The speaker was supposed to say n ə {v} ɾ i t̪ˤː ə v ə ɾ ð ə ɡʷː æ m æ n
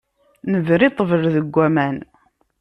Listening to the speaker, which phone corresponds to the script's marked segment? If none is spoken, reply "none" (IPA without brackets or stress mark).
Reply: v